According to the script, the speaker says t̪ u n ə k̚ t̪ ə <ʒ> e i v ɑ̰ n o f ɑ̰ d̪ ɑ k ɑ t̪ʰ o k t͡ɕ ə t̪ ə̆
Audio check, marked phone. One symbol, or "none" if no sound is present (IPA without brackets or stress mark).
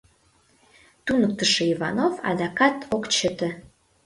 ʃ